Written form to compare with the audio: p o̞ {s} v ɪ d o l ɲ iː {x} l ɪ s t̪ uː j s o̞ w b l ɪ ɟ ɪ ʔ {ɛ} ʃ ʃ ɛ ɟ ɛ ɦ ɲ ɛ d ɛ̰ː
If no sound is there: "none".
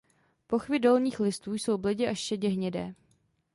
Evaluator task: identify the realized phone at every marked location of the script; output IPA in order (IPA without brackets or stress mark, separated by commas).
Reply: x, x, a